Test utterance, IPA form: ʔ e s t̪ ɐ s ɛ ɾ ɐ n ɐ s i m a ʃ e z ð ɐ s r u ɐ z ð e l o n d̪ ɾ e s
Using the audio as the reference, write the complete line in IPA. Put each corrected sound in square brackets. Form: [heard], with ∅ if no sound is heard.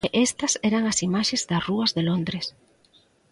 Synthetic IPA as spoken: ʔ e s t̪ ɐ s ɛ ɾ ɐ [ŋ] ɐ s i m a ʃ e z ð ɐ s r u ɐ z ð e l o n d̪ ɾ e s